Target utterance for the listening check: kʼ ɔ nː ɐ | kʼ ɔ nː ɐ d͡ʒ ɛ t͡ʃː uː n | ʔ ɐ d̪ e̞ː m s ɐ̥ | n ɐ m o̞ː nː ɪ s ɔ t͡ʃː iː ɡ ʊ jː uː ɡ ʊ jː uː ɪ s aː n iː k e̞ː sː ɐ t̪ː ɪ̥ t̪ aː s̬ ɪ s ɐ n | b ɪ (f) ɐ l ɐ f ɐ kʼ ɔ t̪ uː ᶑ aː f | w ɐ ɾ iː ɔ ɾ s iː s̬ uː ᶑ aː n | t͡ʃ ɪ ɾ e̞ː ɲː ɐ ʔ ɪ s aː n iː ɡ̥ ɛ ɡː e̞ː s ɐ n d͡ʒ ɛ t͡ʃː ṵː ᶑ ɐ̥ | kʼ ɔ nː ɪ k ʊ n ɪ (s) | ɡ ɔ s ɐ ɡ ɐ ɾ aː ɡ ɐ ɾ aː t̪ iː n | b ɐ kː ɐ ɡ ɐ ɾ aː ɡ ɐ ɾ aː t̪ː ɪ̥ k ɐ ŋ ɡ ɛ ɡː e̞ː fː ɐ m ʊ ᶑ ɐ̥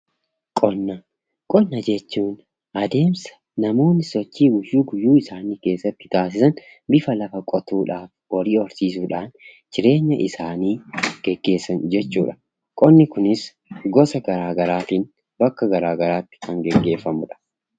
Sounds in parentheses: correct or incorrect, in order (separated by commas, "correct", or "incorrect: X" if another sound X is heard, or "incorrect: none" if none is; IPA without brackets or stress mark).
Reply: correct, correct